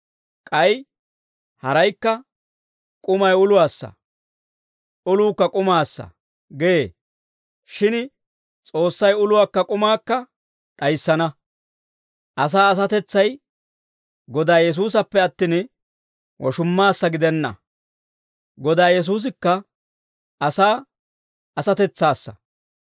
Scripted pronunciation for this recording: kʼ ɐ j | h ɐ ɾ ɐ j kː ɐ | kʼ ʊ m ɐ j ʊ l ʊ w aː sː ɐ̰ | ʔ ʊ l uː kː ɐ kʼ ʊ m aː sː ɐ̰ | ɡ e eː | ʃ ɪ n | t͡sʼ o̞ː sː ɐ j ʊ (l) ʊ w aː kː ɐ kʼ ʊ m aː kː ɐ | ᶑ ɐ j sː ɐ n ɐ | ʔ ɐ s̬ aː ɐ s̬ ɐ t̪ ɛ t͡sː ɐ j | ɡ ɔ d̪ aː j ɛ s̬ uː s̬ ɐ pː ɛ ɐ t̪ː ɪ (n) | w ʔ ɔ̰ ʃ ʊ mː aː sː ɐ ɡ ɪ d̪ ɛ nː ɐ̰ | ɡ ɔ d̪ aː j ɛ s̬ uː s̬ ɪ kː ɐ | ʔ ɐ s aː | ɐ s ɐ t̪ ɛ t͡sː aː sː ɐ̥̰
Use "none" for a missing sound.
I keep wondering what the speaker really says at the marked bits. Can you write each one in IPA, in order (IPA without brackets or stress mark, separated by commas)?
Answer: l, n